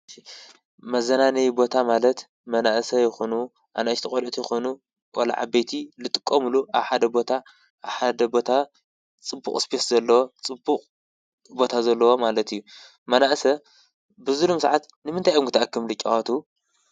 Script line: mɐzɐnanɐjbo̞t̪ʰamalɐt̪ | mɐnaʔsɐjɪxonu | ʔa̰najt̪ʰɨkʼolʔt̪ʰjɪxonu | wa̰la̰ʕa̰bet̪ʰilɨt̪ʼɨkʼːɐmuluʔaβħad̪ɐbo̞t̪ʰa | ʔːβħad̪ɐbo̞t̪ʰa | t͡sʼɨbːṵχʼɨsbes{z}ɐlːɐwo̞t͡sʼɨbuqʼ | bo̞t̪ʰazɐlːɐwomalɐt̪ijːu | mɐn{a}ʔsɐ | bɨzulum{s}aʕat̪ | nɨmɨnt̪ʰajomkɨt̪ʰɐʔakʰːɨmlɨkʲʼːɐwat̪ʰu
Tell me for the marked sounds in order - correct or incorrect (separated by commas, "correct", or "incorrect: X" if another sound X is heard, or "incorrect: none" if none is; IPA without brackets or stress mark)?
correct, correct, correct